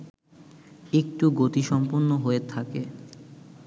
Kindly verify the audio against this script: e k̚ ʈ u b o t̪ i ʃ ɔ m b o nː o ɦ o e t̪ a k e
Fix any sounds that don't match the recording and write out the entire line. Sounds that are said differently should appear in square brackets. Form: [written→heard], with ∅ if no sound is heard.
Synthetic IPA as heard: e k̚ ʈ u [b→ɡ] o t̪ i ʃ ɔ m [b→p] o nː o ɦ o e [t̪→t̪ʰ] a k e

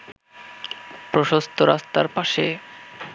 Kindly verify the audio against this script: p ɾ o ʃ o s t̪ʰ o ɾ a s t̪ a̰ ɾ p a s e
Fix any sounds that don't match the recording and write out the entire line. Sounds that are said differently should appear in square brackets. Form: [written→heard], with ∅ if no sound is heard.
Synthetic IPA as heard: p ɾ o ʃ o s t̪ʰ o ɾ a s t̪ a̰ ɾ p a [s→ʃ] e

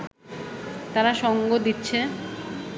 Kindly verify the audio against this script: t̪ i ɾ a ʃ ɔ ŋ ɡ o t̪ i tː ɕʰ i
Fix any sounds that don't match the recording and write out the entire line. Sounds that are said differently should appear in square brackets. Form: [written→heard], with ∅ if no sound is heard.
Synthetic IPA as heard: t̪ [i→a] ɾ a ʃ ɔ ŋ ɡ o [t̪→d̪] i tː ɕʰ [i→e]

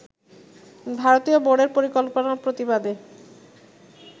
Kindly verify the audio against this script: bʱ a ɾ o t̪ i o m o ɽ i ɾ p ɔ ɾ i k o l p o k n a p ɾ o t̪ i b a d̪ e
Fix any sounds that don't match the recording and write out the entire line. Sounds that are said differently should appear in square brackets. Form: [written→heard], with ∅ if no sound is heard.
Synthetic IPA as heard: bʱ a ɾ o t̪ i o [m→b] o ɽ [i→e] ɾ p [ɔ→o] ɾ i k o l p o [k→∅] n a p ɾ o t̪ i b a d̪ e

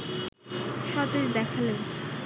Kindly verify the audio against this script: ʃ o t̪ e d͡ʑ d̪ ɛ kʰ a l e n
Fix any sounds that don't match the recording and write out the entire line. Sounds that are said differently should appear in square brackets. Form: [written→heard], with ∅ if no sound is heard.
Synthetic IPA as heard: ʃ [o→ɔ] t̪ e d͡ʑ d̪ ɛ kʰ a l e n

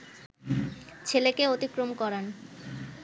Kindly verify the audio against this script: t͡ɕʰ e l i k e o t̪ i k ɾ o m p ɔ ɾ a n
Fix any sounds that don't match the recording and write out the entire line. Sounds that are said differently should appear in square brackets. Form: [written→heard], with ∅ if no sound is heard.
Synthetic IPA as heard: t͡ɕʰ e l [i→e] k e o t̪ i k ɾ o m [p→k] ɔ ɾ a n

